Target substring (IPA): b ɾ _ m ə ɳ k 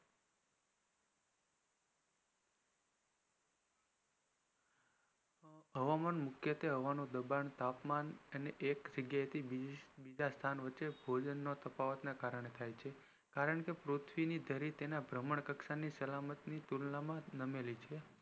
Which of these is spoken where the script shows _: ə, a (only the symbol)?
ə